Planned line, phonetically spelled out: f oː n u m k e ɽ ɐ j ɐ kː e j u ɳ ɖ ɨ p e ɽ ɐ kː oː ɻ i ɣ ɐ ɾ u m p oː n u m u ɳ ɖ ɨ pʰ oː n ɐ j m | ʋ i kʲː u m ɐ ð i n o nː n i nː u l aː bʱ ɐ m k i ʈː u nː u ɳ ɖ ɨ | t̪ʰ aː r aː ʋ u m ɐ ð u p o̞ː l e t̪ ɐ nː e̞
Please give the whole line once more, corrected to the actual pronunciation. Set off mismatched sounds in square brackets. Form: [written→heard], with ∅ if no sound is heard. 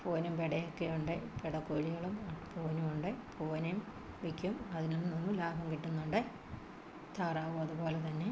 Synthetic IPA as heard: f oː n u m [k→p] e ɽ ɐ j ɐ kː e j u ɳ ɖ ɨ p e ɽ ɐ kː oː ɻ i ɣ ɐ [ɾ→ɭ] u m p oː n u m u ɳ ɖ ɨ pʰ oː n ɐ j m | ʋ i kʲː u m ɐ ð i n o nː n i nː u l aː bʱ ɐ m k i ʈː u nː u ɳ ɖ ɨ | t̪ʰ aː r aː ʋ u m ɐ ð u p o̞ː l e t̪ ɐ nː e̞